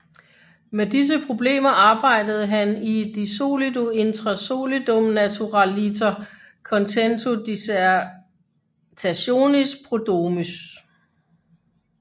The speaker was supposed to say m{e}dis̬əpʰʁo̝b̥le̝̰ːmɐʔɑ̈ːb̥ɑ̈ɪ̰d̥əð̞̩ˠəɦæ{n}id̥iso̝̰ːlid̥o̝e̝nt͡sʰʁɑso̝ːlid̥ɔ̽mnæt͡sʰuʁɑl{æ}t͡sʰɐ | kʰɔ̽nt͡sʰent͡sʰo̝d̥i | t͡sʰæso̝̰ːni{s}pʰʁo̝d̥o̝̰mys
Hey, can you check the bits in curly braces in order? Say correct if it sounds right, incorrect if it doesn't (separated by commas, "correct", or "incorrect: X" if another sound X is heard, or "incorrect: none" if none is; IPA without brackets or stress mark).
correct, correct, incorrect: i, correct